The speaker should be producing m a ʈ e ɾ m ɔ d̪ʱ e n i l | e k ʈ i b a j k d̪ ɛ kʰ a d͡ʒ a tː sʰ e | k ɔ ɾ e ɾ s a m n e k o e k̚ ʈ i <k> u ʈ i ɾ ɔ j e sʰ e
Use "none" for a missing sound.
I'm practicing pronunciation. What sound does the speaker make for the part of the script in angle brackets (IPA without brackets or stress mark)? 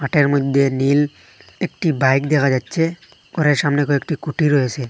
k